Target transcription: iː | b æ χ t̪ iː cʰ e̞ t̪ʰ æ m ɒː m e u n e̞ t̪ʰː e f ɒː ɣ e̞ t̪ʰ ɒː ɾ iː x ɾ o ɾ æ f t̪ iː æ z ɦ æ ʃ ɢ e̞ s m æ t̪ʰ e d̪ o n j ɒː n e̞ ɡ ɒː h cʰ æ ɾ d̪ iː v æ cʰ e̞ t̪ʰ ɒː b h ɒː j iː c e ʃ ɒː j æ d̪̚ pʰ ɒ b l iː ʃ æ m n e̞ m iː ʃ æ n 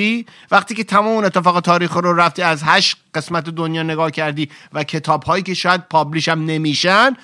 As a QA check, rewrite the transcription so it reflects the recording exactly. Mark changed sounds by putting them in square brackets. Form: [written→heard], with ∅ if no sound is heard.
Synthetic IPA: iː | [b→v] æ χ t̪ iː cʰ e̞ t̪ʰ æ m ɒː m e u n e̞ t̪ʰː e f ɒː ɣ e̞ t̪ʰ ɒː ɾ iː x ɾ o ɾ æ f t̪ iː æ z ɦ æ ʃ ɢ e̞ s m æ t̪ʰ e d̪ o n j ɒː n e̞ ɡ ɒː h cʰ æ ɾ d̪ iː v æ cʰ e̞ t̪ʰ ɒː b h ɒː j iː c e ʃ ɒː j æ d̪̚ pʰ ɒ b l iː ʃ æ m n e̞ m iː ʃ æ n